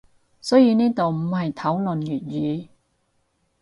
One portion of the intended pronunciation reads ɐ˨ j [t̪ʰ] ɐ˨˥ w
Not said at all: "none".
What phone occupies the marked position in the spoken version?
t̪ʰ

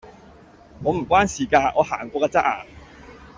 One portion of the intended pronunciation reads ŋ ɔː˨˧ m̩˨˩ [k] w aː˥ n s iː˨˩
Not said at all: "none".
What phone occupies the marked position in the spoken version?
k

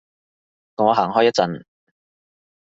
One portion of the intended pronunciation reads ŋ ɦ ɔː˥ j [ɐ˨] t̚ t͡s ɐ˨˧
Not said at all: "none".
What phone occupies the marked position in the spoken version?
ɐ˥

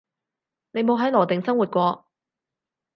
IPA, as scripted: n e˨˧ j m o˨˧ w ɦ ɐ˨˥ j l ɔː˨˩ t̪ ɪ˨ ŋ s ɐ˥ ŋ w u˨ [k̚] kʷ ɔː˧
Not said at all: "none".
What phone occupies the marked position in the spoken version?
t̚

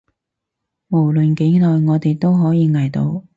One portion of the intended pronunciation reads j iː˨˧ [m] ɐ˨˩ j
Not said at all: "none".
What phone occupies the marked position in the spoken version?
ŋ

